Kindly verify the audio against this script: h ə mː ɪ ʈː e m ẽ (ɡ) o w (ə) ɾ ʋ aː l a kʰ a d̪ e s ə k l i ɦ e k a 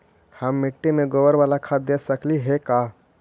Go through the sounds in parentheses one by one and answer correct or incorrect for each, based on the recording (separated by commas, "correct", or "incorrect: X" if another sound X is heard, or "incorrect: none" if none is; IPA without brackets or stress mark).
correct, correct